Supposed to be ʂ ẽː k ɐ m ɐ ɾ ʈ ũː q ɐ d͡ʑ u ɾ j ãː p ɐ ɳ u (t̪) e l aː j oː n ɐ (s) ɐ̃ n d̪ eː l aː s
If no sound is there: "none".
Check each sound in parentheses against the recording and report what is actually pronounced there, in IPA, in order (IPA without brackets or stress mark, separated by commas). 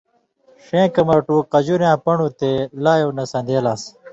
t̪, s